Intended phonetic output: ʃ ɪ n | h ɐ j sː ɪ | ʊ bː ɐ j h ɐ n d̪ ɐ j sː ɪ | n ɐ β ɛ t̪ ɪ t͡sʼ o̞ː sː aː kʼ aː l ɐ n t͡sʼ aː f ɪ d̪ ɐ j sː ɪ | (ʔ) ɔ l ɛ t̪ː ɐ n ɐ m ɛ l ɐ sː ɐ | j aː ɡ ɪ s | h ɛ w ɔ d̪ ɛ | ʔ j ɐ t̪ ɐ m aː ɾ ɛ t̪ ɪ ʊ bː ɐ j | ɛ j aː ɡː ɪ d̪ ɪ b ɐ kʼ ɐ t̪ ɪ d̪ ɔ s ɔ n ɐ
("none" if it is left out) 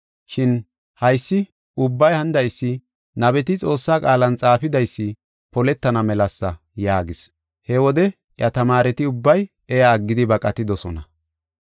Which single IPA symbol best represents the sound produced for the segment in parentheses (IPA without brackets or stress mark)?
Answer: p